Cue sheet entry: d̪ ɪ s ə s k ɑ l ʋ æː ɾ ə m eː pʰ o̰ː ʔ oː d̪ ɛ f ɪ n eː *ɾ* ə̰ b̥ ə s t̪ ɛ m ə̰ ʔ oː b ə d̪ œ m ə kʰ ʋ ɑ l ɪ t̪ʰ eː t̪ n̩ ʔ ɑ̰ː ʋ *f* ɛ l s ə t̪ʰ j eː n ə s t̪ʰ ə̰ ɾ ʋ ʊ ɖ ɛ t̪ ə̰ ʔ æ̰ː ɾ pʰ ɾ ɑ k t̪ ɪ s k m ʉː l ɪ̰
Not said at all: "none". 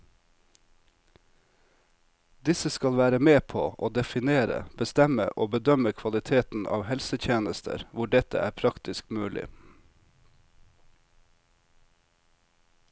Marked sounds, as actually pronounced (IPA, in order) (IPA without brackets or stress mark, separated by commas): ɾ, h